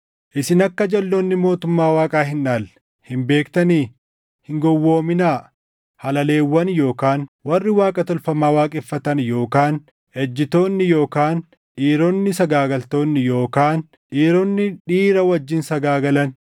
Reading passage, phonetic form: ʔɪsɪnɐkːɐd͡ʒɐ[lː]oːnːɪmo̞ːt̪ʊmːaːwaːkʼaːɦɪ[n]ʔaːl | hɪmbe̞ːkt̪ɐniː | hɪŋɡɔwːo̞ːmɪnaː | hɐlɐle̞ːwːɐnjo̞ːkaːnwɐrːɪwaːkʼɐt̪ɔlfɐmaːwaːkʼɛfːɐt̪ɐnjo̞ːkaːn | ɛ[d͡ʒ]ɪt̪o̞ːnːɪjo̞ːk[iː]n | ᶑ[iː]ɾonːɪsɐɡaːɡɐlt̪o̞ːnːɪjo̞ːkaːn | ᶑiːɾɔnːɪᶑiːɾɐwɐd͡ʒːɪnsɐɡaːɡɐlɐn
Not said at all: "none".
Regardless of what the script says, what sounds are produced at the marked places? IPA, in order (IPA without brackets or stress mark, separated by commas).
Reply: lː, n, d͡ʒː, aː, iː